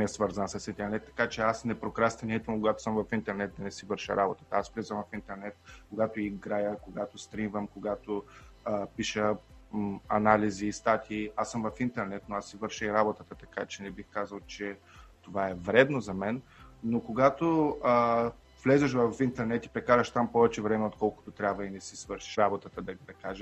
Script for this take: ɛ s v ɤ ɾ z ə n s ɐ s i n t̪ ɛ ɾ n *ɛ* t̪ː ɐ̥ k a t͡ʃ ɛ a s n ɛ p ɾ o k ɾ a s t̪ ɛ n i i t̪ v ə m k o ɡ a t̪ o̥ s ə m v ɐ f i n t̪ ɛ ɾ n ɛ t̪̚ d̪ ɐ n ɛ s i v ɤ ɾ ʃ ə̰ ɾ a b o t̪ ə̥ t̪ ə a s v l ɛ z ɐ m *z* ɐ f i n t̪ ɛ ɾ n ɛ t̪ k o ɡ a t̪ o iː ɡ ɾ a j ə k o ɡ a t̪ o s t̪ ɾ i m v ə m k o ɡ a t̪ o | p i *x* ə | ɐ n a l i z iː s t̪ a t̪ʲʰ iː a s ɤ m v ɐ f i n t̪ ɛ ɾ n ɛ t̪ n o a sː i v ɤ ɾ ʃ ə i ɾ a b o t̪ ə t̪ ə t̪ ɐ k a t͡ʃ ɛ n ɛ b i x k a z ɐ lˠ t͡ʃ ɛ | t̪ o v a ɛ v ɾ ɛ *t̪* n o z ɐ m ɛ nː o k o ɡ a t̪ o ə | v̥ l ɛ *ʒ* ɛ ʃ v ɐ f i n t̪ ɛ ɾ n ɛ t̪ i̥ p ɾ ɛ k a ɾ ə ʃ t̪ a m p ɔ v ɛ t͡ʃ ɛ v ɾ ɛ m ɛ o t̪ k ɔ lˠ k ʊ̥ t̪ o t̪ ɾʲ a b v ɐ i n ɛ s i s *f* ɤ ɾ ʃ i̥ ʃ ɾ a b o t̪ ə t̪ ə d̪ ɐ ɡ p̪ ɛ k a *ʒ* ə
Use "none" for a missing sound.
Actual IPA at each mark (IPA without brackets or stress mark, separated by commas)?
ɛ, v, ʃ, d̪, z, v, ʒ